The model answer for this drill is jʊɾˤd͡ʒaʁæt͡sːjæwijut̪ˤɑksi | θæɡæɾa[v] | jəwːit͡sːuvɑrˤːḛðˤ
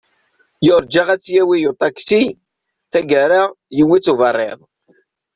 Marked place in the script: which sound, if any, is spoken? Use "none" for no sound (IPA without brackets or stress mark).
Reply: ʁ